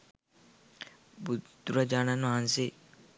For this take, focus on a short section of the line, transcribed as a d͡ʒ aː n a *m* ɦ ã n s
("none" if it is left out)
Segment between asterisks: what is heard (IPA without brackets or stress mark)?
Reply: n